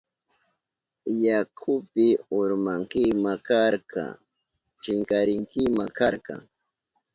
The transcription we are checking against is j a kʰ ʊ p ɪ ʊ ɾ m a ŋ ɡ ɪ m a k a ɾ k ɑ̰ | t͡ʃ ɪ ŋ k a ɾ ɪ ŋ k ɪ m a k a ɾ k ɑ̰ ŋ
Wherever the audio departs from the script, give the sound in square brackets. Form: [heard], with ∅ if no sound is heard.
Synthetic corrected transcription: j a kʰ ʊ p ɪ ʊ ɾ m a ŋ [k] ɪ m a k a ɾ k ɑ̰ | t͡ʃ ɪ ŋ k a ɾ ɪ ŋ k ɪ m a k a ɾ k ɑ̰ ŋ